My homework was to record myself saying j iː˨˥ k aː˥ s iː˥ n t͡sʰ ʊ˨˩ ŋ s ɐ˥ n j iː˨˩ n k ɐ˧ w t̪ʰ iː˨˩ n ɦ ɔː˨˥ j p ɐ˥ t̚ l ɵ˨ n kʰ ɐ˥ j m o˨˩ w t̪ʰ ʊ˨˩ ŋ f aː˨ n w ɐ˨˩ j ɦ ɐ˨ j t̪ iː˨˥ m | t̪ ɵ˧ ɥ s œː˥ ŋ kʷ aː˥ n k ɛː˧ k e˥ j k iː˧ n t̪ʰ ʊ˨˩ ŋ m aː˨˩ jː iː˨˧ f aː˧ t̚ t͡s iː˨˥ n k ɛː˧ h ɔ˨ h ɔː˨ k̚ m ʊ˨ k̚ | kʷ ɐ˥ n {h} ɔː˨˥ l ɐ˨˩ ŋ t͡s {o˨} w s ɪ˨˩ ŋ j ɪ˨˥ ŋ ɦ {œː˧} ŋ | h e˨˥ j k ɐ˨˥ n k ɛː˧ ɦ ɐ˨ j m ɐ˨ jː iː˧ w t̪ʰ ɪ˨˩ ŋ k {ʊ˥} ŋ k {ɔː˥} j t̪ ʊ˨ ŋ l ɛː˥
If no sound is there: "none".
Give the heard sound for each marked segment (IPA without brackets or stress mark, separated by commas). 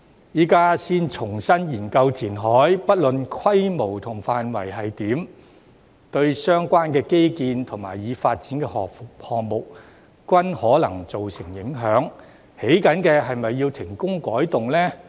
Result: h, o˨, œː˨˥, ʊ˥, ɔː˨˥